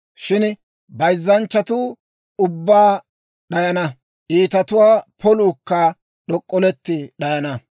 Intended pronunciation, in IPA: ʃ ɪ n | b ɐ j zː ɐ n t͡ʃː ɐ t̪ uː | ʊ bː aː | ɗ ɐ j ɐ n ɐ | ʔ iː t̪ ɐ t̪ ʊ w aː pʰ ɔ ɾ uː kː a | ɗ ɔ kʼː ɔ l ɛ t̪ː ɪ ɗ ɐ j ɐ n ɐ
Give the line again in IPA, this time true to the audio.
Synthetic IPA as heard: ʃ ɪ n | b ɐ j zː ɐ n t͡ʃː ɐ t̪ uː | ʊ bː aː | ɗ ɐ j ɐ n ɐ | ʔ iː t̪ ɐ t̪ ʊ w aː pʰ ɔ l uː kː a | ɗ ɔ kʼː ɔ l ɛ t̪ː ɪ ɗ ɐ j ɐ n ɐ